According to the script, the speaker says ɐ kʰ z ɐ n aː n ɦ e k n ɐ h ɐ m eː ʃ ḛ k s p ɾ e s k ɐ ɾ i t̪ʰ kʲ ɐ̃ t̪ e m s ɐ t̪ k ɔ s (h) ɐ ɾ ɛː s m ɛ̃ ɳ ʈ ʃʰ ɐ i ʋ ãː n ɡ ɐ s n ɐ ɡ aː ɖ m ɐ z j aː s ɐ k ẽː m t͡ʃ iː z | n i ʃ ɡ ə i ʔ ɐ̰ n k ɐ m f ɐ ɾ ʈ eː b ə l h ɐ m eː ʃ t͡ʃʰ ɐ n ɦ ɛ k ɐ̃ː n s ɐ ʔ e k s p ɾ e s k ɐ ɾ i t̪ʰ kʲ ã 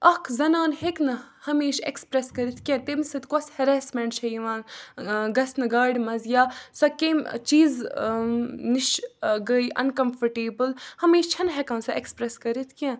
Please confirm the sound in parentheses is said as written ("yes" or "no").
yes